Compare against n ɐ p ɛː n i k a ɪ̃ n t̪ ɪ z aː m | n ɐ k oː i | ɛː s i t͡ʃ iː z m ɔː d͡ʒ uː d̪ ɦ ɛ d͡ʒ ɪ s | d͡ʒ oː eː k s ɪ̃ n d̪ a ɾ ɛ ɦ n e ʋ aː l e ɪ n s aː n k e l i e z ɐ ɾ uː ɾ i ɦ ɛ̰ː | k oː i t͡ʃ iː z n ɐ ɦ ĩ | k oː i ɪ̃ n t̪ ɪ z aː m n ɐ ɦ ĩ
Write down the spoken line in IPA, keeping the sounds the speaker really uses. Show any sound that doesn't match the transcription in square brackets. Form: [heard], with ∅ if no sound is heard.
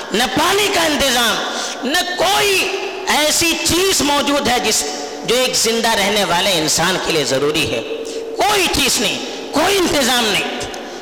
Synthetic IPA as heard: n ɐ p [aː] n i k a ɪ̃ n t̪ ɪ z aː m | n ɐ k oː i | ɛː s i t͡ʃ iː z m ɔː d͡ʒ uː d̪ ɦ ɛ d͡ʒ ɪ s | d͡ʒ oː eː k [z] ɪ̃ n d̪ a ɾ ɛ ɦ n e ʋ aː l e ɪ n s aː n k e l i e z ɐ ɾ uː ɾ i ɦ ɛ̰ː | k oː i t͡ʃ iː z n ɐ ɦ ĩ | k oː i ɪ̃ n t̪ ɪ z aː m n ɐ ɦ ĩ